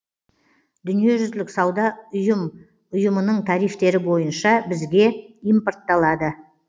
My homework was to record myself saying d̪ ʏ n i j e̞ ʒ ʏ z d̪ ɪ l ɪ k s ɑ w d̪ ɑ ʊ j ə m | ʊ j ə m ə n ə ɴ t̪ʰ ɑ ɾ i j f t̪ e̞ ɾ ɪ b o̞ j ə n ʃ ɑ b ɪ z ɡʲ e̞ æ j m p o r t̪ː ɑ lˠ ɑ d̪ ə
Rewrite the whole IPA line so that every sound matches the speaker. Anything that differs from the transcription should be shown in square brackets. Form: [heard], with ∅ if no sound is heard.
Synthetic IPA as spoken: d̪ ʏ n i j e̞ ʒ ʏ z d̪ ɪ l ɪ k s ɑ w d̪ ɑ ʊ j ə m | ʊ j ə m ə n ə ɴ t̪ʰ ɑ ɾ i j f t̪ e̞ ɾ ɪ b o̞ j ə n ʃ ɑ b ɪ z ɡʲ e̞ [i] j m p o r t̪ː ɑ lˠ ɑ d̪ ə